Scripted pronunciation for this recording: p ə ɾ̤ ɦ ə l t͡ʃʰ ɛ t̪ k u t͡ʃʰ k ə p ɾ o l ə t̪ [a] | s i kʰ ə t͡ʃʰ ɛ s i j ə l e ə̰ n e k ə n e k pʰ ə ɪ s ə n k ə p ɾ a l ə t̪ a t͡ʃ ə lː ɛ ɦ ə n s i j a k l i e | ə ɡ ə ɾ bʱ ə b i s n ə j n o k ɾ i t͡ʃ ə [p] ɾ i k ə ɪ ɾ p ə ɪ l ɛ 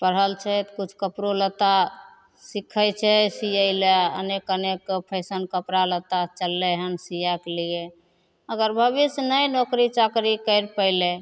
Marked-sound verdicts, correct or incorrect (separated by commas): correct, incorrect